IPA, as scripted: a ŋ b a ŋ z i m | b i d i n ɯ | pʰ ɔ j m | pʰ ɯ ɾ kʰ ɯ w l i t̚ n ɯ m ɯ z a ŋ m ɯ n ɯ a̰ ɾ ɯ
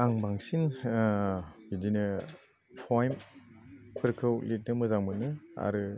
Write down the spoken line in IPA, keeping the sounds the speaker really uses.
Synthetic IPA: a ŋ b a ŋ s i n | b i d i n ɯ | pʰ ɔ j m | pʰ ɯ ɾ kʰ ɯ w l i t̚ n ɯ m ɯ z a ŋ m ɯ n ɯ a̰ ɾ ɯ

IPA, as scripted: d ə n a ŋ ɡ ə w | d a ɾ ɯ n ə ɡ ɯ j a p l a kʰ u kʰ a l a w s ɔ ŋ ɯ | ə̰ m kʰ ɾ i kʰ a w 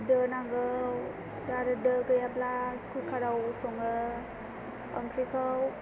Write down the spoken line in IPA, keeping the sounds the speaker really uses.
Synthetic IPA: d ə n a ŋ ɡ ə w | d a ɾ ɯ d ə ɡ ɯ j a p l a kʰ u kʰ a ɾ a w s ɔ ŋ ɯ | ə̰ m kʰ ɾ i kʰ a w

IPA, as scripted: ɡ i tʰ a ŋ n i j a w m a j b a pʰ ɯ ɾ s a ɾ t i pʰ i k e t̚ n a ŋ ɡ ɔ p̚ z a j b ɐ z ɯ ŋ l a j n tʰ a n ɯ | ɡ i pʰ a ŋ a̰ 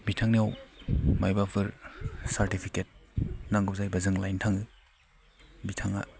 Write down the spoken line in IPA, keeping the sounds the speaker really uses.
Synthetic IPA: b i tʰ a ŋ n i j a w m a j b a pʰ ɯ ɾ s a ɾ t i pʰ i k e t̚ n a ŋ ɡ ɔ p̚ z a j b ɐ z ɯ ŋ l a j n tʰ a ŋ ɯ | b i tʰ a ŋ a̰

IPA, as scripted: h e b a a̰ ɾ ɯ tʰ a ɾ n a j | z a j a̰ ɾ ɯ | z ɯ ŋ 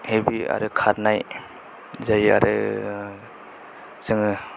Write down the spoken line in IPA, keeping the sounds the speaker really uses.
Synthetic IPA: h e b i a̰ ɾ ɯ kʰ a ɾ n a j | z a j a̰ ɾ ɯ | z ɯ ŋ

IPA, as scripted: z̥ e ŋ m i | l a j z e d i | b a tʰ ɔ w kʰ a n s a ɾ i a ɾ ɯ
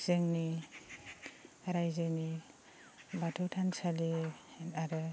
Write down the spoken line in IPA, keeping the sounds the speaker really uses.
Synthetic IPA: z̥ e ŋ n i | ɾ a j z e n i | b a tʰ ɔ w tʰ a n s a l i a ɾ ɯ

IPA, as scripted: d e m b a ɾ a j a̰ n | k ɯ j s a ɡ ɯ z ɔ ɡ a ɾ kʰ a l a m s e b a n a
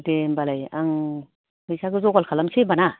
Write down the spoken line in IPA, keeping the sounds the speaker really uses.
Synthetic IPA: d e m b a l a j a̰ ŋ | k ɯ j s a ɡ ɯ z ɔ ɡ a l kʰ a l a m s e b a n a

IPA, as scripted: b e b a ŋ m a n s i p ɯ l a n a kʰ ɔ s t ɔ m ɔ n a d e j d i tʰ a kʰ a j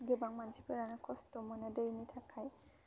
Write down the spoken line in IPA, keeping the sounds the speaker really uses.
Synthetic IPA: ɡ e b a ŋ m a n s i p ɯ ɾ a n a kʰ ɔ s t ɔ m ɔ n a d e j n i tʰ a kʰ a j

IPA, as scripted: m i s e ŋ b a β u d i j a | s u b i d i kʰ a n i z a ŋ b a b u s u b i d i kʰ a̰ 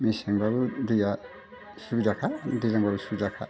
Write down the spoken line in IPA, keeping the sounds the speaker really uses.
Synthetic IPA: m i s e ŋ b a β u d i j a | s u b i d a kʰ a d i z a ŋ b a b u s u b i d a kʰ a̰

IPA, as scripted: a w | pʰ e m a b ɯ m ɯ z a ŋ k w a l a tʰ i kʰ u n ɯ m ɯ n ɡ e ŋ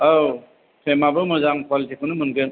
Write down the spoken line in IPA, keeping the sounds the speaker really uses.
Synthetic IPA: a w | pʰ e m a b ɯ m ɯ z a ŋ k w a l i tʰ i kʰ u n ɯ m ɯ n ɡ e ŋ

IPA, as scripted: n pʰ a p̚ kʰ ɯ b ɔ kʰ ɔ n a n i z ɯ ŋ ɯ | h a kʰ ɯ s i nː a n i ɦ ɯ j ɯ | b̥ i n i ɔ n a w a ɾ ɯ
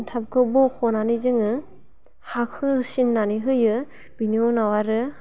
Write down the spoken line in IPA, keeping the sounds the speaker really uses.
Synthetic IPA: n tʰ a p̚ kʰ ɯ b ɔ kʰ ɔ n a n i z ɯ ŋ ɯ | h a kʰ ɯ s i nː a n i ɦ ɯ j ɯ | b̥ i n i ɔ n a w a ɾ ɯ

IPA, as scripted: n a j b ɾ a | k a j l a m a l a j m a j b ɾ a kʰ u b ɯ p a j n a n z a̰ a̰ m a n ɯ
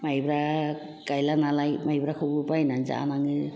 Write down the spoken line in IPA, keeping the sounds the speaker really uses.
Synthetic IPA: m a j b ɾ a | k a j l a n a l a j m a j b ɾ a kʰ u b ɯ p a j n a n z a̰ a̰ n a ŋ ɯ

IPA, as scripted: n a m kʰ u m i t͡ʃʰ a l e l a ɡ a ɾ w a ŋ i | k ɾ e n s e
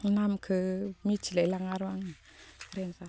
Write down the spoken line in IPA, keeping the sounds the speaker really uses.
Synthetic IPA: n a m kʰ ɯ m i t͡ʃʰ i l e l a ŋ a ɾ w a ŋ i | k ɾ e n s a

